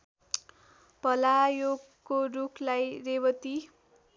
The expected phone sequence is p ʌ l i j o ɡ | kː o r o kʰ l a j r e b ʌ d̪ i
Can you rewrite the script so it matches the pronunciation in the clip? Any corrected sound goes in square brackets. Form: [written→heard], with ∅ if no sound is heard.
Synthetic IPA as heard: p ʌ l [i→a] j o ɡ | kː o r [o→u] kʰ l a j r e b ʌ [d̪→t̪] i